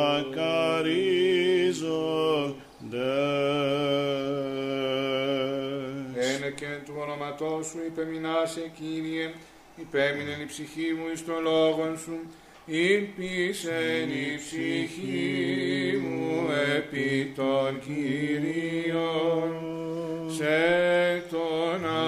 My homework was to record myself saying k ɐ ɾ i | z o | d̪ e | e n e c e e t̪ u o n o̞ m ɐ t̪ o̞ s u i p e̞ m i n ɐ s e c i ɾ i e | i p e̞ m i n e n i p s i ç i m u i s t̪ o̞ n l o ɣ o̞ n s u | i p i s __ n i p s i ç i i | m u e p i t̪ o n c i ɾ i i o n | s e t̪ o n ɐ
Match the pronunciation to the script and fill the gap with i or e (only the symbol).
e